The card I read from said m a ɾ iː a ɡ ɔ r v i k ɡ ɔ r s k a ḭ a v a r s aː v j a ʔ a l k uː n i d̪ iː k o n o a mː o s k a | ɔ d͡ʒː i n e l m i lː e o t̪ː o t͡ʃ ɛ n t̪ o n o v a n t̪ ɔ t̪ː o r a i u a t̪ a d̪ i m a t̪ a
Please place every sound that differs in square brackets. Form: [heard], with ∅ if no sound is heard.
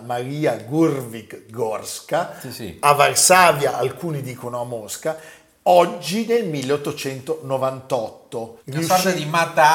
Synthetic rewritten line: m a ɾ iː a ɡ [u] r v i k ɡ ɔ r s k a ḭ a v a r s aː v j a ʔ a l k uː n i d̪ iː k o n o a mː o s k a | ɔ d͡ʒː i n e l m i lː e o t̪ː o t͡ʃ ɛ n t̪ o n o v a n t̪ ɔ t̪ː o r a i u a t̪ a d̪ i m a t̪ a